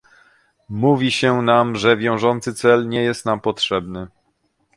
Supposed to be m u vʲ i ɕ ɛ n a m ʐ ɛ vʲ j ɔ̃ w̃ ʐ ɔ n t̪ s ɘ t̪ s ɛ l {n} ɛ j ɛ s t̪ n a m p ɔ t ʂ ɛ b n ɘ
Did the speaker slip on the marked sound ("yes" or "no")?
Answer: yes